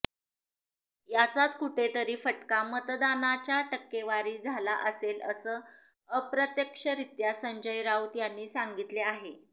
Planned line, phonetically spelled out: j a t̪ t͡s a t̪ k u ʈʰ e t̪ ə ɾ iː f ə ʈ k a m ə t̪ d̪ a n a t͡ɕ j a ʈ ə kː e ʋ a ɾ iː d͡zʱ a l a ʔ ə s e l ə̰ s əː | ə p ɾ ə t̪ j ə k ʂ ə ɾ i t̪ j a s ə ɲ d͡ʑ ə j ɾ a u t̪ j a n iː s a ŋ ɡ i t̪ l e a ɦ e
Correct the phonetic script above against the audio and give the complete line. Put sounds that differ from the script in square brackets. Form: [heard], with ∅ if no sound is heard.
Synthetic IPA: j a [∅] t͡s a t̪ k u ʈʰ e t̪ ə ɾ iː f ə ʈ k a m ə t̪ d̪ a n a t͡ɕ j a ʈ ə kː e ʋ a ɾ iː d͡zʱ a l a ʔ ə s e l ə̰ s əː | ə p ɾ ə t̪ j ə k ʂ ə ɾ i t̪ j a s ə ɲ d͡ʑ ə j ɾ a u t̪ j a [nː] iː s a ŋ ɡ i t̪ l e a ɦ e